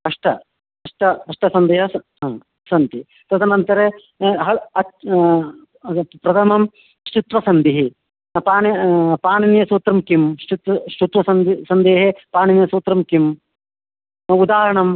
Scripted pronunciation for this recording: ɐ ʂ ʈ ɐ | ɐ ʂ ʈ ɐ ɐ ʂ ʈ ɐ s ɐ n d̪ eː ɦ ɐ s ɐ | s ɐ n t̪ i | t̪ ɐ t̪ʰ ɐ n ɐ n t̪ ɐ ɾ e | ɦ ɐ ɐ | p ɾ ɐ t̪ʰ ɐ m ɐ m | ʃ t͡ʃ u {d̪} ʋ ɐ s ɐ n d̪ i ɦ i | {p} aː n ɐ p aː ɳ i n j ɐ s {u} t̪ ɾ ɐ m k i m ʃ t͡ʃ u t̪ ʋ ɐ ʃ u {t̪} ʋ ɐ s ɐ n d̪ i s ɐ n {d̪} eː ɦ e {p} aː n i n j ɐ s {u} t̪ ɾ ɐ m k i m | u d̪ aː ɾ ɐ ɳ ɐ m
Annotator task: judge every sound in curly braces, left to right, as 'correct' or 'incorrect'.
incorrect: t̪, correct, incorrect: uː, correct, correct, correct, incorrect: uː

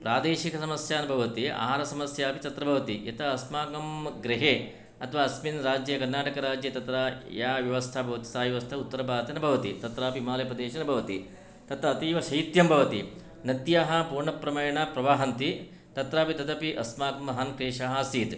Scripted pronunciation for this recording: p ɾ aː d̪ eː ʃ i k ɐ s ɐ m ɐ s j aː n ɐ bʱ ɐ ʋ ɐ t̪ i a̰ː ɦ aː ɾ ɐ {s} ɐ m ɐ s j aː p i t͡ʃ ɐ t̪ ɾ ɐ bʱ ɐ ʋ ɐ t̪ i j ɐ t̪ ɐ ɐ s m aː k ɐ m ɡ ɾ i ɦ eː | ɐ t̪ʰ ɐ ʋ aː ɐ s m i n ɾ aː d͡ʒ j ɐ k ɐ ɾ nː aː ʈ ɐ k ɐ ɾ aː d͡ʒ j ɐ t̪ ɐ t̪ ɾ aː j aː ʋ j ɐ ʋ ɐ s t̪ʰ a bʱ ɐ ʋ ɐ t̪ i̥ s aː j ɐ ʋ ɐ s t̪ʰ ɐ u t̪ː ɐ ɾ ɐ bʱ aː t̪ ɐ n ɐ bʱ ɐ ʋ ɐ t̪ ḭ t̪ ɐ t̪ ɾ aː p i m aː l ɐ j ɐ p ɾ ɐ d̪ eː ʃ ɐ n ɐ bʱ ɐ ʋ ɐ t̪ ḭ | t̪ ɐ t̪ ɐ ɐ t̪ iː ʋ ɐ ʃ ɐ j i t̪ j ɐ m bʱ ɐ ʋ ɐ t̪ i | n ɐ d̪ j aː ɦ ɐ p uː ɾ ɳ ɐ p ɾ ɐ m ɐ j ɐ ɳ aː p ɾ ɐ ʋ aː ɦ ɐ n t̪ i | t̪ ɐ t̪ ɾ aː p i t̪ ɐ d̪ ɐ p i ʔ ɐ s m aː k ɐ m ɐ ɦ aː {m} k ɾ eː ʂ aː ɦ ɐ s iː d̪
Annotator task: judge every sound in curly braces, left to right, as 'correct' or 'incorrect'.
correct, incorrect: n

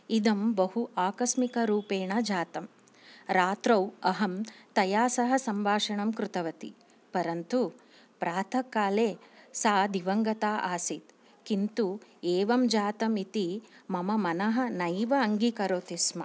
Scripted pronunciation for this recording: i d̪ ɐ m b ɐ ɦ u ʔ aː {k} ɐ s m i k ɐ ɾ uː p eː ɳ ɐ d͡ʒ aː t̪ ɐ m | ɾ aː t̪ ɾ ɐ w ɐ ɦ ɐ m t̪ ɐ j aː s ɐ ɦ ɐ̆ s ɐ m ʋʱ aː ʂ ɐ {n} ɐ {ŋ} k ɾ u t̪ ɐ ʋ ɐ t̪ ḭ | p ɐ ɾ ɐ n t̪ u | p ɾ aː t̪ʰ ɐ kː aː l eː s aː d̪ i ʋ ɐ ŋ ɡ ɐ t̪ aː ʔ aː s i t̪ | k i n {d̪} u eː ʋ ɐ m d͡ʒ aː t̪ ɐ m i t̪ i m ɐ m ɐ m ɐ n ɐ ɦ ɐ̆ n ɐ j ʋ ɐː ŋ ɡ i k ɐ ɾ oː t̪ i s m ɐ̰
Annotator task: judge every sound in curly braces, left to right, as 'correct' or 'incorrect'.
correct, incorrect: ɳ, incorrect: m, incorrect: t̪

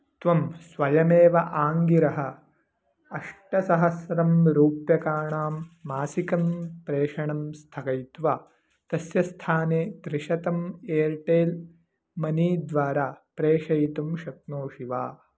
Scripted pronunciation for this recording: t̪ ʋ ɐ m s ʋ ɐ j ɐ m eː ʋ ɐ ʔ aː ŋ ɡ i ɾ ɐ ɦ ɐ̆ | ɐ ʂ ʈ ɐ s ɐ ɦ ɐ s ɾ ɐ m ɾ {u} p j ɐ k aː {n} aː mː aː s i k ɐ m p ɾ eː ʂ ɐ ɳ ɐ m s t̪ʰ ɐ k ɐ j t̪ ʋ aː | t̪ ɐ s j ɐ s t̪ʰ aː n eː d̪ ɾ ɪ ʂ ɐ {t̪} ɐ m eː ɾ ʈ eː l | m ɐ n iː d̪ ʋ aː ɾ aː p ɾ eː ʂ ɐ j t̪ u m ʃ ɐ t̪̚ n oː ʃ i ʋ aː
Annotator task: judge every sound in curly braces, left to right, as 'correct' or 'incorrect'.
incorrect: uː, incorrect: ɳ, correct

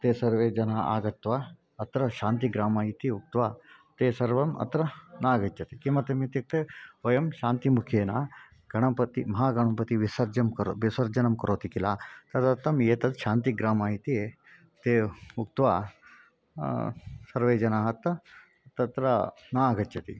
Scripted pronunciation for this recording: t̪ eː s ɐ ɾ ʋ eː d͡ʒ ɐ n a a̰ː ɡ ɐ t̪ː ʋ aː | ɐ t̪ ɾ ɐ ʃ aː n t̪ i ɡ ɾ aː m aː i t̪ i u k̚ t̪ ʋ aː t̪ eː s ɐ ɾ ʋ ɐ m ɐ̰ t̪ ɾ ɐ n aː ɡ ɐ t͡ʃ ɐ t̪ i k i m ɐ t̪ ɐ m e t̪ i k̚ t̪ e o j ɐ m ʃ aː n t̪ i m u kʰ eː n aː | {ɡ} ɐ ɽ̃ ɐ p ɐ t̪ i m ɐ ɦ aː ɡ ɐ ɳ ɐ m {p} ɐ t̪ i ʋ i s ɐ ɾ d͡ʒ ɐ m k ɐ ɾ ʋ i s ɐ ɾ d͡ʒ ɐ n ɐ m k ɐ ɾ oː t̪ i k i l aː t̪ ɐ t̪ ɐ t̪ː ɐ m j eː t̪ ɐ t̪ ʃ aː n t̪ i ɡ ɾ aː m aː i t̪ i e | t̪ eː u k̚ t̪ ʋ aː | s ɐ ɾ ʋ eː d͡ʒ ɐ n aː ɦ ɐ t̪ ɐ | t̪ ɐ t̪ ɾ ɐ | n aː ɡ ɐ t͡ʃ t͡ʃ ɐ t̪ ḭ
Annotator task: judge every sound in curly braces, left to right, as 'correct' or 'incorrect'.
correct, correct

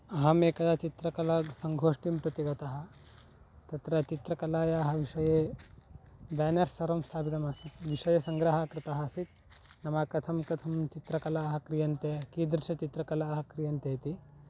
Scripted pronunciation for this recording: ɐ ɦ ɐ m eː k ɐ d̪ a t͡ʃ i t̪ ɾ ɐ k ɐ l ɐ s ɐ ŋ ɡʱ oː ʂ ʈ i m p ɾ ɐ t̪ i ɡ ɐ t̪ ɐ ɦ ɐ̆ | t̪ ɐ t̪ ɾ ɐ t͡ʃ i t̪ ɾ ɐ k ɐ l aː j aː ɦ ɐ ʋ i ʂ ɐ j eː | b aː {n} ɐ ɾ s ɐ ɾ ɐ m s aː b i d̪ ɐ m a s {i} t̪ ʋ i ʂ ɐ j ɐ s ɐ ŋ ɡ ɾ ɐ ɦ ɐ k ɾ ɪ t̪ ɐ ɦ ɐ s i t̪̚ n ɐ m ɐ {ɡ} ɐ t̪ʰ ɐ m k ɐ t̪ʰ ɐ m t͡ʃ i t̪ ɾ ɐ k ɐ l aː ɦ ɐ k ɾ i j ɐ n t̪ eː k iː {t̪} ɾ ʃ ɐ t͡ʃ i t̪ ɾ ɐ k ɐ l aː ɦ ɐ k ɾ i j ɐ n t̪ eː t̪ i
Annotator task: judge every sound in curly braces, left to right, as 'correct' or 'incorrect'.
correct, correct, incorrect: k, incorrect: d̪

